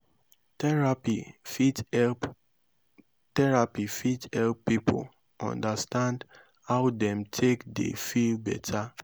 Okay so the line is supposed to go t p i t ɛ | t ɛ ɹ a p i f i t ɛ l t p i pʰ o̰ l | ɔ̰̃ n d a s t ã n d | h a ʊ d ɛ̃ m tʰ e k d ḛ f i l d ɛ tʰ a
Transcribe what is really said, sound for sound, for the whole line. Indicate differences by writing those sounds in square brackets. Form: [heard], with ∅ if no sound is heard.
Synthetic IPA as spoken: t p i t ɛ | t ɛ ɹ a p i f i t ɛ l [p] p i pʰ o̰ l | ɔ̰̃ n d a s t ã n d | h a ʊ d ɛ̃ m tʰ e k d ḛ f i l [b] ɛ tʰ a